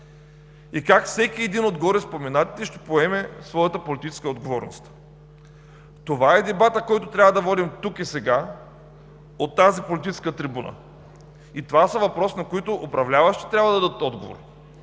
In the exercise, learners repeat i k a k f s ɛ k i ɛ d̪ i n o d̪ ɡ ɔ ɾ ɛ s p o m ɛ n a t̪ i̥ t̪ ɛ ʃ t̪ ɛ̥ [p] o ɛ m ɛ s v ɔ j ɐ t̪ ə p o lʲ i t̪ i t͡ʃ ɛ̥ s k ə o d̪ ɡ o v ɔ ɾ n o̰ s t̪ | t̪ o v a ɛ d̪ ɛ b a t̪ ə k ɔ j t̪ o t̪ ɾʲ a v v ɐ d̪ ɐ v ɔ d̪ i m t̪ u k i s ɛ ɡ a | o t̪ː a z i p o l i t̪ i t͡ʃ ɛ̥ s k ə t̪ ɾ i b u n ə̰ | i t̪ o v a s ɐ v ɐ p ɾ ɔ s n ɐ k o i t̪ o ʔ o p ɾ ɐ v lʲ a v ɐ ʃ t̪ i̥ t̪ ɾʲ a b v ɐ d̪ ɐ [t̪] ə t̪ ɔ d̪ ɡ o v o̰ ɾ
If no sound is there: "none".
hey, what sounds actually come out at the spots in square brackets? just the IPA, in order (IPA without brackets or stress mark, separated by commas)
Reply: p, d̪